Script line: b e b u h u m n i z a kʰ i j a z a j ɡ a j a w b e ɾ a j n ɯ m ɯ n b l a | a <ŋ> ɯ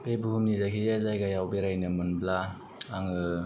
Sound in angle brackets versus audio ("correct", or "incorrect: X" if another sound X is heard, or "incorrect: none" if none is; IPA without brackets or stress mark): correct